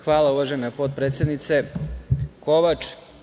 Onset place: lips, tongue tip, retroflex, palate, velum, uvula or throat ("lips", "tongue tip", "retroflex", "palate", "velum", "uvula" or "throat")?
velum